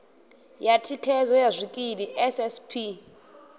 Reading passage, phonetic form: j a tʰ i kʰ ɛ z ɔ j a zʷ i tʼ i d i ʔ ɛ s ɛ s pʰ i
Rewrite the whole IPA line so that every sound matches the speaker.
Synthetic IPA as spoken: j a tʰ i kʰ ɛ z ɔ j a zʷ i kʼ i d i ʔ ɛ s ɛ s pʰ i